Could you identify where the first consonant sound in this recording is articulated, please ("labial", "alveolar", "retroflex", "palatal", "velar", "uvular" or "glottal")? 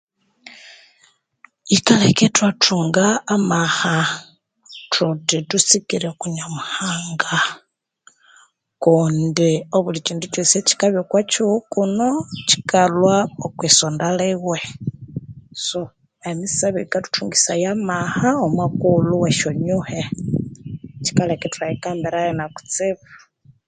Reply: velar